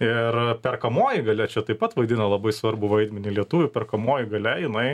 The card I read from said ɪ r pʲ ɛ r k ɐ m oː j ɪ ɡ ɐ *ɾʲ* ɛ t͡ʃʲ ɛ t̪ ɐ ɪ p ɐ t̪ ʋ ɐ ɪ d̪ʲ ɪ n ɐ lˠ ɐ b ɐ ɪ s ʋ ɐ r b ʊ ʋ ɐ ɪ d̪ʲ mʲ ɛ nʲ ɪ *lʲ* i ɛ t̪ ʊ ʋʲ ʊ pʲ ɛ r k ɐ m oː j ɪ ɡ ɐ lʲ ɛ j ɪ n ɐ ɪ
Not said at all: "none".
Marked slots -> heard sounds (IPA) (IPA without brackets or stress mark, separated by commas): lʲ, lʲ